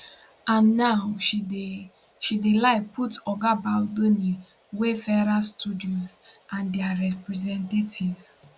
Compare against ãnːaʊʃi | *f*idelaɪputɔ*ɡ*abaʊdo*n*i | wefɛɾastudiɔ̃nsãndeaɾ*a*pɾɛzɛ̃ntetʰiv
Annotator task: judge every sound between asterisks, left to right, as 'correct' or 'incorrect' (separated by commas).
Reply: incorrect, correct, correct, incorrect